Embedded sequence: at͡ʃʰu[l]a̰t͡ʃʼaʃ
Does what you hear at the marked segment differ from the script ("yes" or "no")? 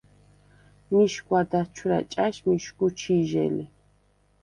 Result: yes